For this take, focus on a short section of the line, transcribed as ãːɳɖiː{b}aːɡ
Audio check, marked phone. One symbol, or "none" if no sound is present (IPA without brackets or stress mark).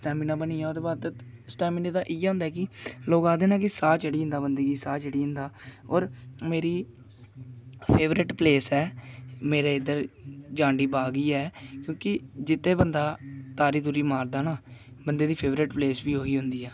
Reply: b